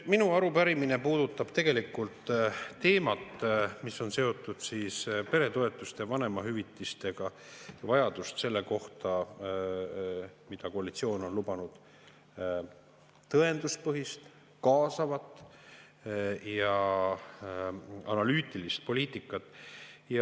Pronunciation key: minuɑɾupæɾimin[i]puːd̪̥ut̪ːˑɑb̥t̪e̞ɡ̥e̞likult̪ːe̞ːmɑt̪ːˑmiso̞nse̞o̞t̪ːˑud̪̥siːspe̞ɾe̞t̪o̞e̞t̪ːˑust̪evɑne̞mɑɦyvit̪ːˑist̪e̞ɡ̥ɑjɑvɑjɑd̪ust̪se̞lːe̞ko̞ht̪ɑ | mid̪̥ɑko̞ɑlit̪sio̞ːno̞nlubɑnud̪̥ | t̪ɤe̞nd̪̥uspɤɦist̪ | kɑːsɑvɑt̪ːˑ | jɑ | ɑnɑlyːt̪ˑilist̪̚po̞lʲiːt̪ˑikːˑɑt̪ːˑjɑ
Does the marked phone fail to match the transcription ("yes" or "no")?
yes